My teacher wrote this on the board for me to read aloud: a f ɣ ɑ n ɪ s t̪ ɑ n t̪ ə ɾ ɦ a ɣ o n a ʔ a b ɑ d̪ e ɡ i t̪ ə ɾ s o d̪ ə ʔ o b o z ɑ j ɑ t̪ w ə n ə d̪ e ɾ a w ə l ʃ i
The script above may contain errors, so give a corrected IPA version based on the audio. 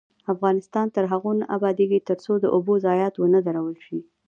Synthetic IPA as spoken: a f ɣ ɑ n ɪ s t̪ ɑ n t̪ ə ɾ ɦ a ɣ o n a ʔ a b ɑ d̪ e ɡ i t̪ ə ɾ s o d̪ ə ʔ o b o z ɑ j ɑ t̪ w ə n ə d̪ a ɾ a w ə l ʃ i